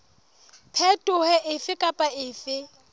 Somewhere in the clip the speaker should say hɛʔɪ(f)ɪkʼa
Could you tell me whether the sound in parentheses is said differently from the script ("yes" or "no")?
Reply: no